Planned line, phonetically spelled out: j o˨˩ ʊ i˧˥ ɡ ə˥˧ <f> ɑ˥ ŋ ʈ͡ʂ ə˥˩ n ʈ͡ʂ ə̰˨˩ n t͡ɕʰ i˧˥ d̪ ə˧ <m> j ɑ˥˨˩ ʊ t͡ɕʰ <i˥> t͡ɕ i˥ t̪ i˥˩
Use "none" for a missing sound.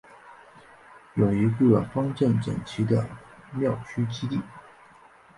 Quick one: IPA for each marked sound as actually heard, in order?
f, m, y˥

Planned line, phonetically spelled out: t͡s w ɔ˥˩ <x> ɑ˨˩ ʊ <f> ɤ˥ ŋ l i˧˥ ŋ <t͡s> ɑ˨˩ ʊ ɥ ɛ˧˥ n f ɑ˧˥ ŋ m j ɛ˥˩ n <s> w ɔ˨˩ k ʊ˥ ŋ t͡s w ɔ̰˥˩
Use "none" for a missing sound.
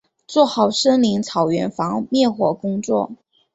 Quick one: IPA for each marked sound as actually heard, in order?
x, ʂ, t͡sʰ, x

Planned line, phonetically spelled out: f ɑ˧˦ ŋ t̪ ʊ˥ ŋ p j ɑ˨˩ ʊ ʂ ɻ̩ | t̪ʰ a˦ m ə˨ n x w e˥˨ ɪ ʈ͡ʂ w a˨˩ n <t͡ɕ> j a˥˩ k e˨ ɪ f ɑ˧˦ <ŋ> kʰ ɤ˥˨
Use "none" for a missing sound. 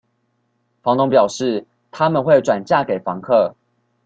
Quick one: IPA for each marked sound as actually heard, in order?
t͡ɕ, ŋ

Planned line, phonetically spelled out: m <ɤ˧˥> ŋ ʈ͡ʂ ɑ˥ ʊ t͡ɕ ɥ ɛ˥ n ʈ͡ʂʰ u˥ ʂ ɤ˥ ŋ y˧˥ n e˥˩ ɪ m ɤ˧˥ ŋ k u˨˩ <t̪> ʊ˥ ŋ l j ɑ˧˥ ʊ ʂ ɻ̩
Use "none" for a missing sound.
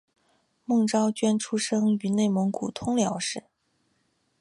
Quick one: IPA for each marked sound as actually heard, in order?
ɤ˥˩, t̪ʰ

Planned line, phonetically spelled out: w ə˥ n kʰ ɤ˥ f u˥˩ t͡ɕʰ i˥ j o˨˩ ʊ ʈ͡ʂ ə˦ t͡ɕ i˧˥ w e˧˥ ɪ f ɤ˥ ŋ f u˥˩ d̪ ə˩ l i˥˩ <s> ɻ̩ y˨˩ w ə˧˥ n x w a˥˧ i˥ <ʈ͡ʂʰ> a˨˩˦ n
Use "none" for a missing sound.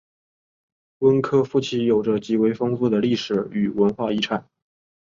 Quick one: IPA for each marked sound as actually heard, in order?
ʂ, ʈ͡ʂʰ

